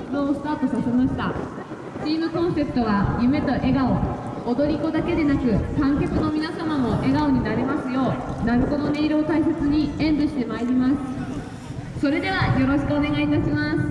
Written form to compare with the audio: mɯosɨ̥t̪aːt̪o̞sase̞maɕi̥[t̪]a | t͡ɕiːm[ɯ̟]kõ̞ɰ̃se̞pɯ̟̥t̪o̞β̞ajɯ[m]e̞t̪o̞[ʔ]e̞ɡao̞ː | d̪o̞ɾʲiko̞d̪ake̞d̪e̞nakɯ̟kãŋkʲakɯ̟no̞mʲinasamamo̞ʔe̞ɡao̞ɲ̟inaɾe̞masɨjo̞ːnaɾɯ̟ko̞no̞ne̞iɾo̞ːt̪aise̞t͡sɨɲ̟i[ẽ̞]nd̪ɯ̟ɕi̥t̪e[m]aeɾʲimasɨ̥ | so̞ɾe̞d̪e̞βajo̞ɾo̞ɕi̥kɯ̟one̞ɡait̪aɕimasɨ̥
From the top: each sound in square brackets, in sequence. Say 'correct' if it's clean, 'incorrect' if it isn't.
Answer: correct, correct, correct, correct, correct, correct

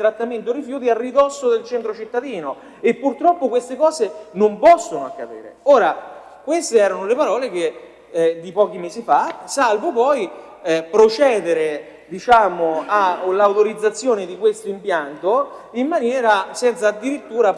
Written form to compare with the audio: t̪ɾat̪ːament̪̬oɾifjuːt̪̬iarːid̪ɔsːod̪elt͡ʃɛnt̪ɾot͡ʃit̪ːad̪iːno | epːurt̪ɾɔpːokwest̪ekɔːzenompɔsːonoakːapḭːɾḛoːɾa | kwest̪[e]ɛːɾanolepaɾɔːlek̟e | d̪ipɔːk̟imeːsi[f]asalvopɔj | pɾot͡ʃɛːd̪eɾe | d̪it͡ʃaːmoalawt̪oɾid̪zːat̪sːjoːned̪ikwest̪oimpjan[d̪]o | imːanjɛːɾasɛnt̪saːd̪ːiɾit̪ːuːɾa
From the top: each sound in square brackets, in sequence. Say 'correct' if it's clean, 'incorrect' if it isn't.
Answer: correct, correct, incorrect

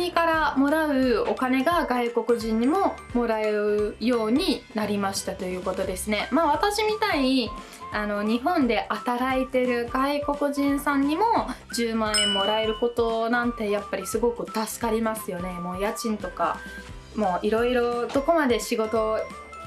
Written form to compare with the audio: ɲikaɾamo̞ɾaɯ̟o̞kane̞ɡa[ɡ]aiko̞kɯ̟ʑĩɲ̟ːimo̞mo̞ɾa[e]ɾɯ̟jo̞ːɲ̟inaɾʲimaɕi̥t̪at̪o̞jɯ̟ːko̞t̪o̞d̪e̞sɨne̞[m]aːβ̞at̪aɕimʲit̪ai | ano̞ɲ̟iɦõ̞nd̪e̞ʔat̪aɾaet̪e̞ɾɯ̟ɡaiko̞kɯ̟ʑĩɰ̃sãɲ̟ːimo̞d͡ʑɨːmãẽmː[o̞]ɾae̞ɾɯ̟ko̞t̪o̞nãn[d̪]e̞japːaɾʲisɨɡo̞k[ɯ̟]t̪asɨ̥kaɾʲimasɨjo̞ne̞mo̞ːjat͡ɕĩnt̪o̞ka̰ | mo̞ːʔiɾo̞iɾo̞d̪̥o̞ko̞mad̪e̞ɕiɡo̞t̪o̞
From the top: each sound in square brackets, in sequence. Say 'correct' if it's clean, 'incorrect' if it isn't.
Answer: correct, correct, correct, correct, incorrect, correct

